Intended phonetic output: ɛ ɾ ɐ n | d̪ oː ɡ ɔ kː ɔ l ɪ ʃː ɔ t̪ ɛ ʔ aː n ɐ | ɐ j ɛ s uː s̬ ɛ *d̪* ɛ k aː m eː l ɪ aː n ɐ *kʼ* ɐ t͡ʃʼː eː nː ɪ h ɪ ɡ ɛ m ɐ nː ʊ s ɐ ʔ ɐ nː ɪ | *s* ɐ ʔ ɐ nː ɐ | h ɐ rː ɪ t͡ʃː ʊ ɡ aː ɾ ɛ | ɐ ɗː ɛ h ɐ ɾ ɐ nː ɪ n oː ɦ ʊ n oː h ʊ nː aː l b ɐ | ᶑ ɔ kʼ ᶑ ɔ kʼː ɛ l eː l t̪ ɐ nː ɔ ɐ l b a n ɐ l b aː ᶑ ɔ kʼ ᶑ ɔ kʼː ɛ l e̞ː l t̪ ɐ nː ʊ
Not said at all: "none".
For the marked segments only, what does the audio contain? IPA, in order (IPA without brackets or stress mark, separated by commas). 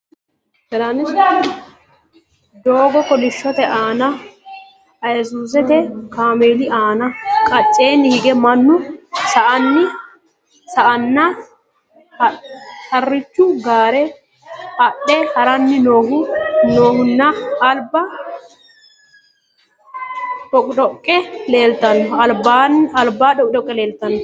t̪, kʼ, s